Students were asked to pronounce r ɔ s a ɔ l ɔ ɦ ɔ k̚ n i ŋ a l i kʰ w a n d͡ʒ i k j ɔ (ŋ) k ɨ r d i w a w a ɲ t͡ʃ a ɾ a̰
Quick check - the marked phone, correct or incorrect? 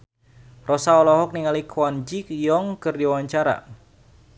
correct